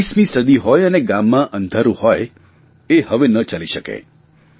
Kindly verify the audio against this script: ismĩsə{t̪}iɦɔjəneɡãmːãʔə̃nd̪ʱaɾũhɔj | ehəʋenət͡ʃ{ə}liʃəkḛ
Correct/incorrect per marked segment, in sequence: incorrect: d̪, incorrect: a

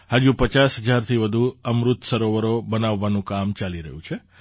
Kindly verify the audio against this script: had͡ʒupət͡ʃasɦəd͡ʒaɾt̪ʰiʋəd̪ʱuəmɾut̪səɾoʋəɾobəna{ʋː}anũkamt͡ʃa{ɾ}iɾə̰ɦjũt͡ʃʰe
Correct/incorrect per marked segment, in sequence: correct, incorrect: l

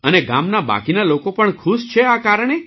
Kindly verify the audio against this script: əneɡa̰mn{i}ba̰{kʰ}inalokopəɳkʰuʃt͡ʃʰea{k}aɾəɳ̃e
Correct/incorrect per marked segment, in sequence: incorrect: a, incorrect: k, correct

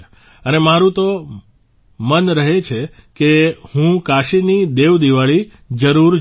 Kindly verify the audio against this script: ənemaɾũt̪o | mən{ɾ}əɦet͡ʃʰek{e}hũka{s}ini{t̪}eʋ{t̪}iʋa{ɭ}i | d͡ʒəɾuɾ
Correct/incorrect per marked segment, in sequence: correct, correct, incorrect: ʃ, incorrect: d̪, incorrect: d̪, correct

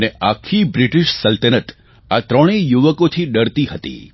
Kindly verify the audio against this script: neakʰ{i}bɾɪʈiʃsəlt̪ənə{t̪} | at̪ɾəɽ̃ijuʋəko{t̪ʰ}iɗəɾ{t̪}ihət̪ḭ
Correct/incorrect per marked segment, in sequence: correct, correct, correct, correct

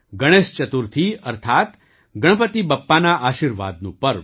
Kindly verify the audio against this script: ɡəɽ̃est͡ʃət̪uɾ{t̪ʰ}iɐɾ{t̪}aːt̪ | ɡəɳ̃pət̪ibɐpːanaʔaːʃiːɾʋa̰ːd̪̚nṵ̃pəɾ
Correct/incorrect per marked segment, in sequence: correct, incorrect: t̪ʰ

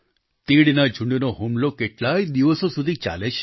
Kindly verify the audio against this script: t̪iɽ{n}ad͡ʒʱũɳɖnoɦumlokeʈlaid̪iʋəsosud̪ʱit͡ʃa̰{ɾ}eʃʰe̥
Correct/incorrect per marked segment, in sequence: correct, incorrect: l

